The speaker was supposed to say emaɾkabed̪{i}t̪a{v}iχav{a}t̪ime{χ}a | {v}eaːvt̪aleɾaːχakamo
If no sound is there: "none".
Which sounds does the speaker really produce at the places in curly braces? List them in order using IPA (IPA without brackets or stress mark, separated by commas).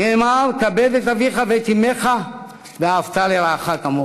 e, v, e, χ, v